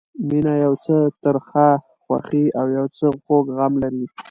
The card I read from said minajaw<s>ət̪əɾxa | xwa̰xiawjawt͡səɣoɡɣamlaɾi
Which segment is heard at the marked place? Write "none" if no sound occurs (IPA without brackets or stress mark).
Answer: t͡s